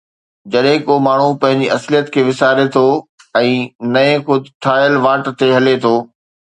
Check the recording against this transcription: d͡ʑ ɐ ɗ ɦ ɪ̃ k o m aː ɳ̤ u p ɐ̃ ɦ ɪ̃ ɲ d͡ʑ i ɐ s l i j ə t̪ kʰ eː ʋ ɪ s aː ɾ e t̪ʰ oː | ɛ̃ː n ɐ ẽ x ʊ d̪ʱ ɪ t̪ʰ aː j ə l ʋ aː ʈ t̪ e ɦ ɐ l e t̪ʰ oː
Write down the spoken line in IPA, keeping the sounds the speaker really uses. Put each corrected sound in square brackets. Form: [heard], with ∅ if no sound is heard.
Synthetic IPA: d͡ʑ ɐ ɗ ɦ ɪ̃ k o m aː ɳ̤ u p ɐ̃ ɦ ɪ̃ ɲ d͡ʑ i ɐ s l i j ə t̪ kʰ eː ʋ ɪ s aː ɾ e t̪ʰ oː | ɛ̃ː n ɐ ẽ x ʊ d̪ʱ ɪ t̪ʰ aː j ə l ʋ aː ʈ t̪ e ɦ ɐ l e t̪ʰ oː